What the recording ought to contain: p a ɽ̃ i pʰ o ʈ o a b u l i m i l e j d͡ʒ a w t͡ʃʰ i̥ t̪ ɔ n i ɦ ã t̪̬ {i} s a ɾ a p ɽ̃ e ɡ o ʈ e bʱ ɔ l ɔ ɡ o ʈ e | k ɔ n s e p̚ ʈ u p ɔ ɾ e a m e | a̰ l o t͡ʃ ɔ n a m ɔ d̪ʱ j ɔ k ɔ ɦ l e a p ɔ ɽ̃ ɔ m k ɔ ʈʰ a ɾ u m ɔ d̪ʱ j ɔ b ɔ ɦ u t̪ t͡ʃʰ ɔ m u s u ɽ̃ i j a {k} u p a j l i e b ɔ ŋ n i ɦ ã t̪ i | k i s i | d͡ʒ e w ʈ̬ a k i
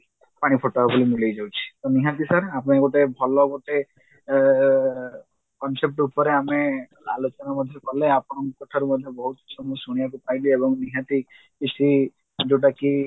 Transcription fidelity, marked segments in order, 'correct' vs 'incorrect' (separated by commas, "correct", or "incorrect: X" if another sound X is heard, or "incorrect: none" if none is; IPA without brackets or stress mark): correct, correct